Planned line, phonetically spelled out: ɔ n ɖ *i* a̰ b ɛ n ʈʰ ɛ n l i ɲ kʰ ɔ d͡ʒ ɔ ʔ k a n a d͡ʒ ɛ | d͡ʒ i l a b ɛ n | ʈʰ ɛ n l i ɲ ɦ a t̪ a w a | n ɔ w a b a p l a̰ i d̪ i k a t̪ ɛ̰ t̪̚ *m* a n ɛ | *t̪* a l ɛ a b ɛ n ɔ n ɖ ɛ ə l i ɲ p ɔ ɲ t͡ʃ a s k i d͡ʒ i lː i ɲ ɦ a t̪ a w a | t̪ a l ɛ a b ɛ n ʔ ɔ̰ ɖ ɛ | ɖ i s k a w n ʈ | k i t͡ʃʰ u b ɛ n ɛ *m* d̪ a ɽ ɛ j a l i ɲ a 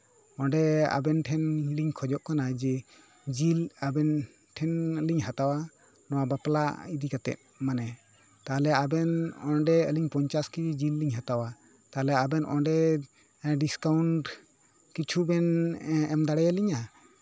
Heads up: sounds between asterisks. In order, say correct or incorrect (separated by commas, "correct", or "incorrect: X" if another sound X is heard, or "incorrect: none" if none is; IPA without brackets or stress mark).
incorrect: ɛ, correct, correct, correct